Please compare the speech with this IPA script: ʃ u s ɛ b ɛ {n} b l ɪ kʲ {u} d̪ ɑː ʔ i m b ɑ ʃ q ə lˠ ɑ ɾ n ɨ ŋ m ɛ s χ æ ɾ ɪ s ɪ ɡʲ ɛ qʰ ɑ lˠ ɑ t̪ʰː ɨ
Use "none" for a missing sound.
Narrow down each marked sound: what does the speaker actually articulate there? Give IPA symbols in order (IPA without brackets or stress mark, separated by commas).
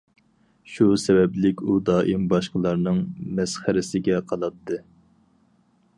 none, u